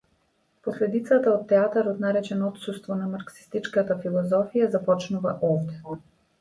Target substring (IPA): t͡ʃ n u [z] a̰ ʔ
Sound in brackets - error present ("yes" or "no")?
yes